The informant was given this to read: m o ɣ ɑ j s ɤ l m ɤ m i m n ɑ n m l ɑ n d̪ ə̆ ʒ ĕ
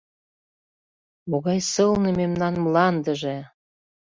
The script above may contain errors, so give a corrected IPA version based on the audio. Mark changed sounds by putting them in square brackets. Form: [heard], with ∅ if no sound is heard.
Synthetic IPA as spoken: m o ɣ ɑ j s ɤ l [n] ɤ m [e] m n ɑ n m l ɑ n d̪ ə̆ ʒ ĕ